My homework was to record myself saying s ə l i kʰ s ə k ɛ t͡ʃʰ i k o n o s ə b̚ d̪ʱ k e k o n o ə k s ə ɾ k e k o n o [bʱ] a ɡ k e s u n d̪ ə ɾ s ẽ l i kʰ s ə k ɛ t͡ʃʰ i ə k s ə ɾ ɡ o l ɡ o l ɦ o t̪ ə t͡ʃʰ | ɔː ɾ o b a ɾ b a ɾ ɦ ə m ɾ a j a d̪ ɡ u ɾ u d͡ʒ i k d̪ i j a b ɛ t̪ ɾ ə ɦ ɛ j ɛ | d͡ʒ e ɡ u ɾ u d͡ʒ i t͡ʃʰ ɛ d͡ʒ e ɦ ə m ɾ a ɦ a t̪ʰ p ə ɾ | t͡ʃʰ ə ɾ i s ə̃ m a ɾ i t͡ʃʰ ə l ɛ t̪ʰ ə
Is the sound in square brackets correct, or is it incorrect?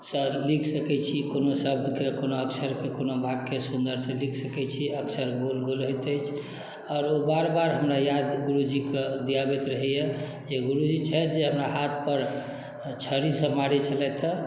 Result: correct